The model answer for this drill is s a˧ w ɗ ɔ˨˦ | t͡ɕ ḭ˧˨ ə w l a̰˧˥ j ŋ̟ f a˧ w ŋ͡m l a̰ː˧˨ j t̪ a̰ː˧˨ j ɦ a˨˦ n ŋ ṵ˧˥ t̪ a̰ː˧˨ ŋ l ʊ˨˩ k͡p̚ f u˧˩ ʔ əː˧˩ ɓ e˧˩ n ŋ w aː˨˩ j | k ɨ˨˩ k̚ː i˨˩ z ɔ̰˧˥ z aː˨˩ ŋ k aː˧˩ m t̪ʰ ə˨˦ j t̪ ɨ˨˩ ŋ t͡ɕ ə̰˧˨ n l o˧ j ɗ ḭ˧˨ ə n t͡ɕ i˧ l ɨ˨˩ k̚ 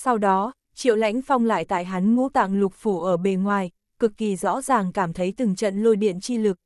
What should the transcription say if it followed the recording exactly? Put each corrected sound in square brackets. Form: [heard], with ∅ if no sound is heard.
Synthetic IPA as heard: s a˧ w ɗ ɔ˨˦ | t͡ɕ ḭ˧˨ ə w l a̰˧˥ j ŋ̟ f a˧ w ŋ͡m l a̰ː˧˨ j t̪ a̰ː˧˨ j ɦ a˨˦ n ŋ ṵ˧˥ t̪ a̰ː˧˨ ŋ l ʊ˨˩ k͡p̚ f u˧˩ ʔ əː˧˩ ɓ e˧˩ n ŋ w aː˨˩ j | k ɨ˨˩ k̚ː i˨˩ z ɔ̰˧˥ z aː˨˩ ŋ k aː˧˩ m t̪ʰ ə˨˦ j t̪ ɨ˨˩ ŋ t͡ɕ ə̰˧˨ n l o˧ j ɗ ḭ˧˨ ə n t͡ɕ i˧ l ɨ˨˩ k̚